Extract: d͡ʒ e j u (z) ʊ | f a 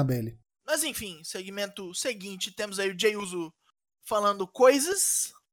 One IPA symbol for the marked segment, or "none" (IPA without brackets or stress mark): z